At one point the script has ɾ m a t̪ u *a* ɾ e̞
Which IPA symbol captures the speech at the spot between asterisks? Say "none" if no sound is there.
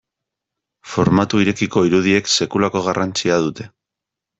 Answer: i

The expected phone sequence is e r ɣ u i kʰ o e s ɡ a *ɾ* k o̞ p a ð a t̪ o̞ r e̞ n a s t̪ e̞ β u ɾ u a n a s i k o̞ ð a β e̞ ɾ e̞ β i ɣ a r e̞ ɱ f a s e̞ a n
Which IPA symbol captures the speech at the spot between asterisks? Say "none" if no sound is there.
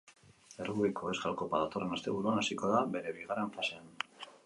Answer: l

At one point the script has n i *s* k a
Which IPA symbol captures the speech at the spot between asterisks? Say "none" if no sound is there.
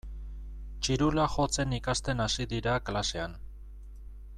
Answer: none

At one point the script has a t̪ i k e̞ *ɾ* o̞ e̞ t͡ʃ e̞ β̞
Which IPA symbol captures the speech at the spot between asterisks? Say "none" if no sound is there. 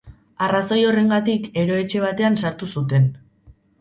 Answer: ɾ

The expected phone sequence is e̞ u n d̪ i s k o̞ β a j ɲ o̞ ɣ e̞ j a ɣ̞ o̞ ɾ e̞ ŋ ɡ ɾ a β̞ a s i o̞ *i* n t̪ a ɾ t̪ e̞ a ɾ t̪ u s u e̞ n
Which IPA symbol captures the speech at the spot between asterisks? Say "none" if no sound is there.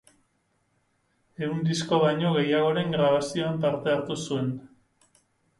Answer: a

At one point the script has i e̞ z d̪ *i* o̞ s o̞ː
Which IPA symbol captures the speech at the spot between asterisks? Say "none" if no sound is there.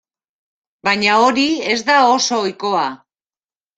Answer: a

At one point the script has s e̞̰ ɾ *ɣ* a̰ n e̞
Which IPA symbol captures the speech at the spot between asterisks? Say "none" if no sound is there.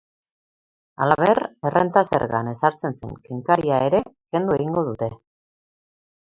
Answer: ɣ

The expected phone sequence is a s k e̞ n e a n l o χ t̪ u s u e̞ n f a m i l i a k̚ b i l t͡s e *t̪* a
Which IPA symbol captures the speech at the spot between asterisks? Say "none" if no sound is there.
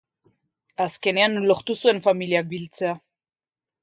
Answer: none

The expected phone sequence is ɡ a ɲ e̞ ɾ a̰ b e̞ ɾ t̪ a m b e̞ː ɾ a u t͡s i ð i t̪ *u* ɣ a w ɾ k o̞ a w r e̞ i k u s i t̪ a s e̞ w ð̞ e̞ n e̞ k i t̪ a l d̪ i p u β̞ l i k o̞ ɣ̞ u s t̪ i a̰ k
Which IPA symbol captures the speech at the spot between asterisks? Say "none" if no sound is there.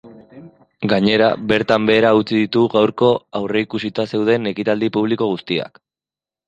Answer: u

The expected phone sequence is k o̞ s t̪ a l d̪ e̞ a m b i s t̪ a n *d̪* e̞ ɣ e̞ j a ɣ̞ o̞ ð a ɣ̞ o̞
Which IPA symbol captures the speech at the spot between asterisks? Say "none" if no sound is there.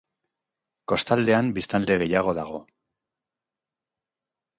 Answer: d̪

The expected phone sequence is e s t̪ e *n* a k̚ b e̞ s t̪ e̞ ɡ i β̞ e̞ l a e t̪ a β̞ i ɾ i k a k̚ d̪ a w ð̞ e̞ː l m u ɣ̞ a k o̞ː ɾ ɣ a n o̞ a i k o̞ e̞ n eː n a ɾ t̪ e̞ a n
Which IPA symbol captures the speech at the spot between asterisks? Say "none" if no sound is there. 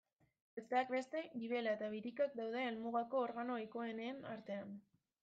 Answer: none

